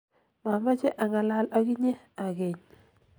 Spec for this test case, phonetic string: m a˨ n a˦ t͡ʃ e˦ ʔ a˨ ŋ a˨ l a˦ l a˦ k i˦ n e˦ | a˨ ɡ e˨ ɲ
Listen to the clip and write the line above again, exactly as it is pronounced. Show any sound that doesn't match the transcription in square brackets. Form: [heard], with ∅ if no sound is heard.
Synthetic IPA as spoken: m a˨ [m] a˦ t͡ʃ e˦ ʔ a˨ ŋ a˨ l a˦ l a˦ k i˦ [ɲ] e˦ | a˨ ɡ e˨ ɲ